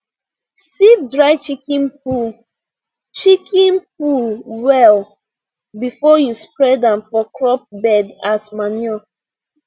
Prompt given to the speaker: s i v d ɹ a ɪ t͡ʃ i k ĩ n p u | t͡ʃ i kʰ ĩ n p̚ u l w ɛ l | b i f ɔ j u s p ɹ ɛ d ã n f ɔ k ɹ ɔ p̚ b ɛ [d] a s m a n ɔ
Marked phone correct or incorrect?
correct